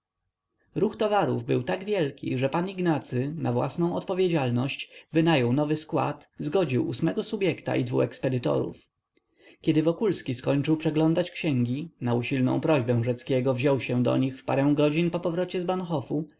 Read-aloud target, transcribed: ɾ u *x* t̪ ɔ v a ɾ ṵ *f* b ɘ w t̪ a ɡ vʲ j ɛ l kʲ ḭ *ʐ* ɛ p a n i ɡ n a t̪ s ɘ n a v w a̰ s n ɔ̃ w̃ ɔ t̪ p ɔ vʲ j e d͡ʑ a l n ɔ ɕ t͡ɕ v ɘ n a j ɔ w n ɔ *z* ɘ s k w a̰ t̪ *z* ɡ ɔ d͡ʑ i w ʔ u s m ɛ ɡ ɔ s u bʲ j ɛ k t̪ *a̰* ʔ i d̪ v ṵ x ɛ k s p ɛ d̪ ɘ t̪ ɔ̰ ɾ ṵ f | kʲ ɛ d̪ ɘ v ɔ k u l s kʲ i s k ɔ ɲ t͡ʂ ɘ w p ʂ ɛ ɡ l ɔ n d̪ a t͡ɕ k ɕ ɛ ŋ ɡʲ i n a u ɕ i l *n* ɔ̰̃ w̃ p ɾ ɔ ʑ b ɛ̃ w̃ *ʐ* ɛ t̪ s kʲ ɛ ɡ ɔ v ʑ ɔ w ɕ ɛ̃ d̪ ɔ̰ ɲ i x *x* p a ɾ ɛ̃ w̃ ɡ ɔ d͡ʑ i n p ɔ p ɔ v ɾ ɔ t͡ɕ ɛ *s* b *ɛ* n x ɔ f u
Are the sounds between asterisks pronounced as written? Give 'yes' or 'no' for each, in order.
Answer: yes, no, yes, no, yes, yes, yes, yes, no, no, no

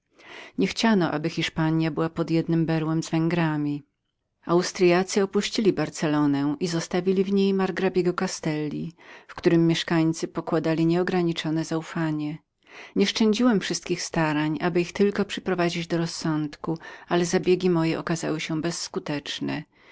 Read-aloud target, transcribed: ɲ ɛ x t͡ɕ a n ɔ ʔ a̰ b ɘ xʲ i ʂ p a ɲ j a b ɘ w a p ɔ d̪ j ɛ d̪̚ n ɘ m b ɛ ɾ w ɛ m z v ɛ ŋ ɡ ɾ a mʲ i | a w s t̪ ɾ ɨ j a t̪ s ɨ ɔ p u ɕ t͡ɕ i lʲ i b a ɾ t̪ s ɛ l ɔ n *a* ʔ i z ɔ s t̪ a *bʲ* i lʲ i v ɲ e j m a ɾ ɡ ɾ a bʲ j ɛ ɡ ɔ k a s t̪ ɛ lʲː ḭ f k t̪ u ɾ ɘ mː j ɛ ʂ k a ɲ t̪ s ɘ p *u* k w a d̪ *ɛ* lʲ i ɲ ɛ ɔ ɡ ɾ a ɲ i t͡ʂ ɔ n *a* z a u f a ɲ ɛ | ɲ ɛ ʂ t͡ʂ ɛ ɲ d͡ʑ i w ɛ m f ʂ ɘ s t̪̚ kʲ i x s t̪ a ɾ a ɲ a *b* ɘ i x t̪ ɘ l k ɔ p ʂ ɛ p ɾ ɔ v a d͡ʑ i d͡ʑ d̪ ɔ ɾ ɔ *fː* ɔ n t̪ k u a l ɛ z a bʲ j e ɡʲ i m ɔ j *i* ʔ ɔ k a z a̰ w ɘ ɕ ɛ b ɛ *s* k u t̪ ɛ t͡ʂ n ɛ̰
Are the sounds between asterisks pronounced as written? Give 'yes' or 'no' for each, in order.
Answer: no, no, no, no, no, yes, no, no, no

